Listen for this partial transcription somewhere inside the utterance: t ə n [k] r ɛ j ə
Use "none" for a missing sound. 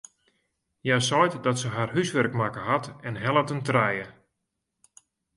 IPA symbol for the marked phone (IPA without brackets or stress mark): t